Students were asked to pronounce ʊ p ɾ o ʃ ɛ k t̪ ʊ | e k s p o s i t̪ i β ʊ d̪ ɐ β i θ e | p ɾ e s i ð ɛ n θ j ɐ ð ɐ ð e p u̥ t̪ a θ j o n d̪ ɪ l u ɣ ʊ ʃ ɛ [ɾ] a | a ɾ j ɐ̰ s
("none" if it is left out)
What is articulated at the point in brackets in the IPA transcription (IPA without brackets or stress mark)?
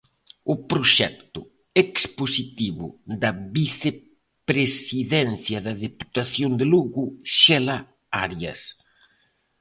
l